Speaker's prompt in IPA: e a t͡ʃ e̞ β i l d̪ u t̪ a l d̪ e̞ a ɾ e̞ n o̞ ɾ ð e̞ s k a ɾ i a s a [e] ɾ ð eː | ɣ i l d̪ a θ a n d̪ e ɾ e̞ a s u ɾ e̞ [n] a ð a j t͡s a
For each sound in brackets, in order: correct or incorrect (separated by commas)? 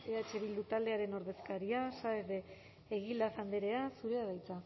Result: correct, incorrect